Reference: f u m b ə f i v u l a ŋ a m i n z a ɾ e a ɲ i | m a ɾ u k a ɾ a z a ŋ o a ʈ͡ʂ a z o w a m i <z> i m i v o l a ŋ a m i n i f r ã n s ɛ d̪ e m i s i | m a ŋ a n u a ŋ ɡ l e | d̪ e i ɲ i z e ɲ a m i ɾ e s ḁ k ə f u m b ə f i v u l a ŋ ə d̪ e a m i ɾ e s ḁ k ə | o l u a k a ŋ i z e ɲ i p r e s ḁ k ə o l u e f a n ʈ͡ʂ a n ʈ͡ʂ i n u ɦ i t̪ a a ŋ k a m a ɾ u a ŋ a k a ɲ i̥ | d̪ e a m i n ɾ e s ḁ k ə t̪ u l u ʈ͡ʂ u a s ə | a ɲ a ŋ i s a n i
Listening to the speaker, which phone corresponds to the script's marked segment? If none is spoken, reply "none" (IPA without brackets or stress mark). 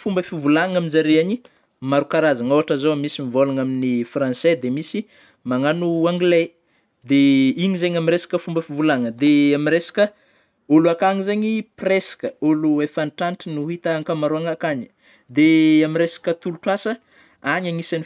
s